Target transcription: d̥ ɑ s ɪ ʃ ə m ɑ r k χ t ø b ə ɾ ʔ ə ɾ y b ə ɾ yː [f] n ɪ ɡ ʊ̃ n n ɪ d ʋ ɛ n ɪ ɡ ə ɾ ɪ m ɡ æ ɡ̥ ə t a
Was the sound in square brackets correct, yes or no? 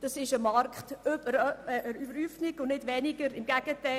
yes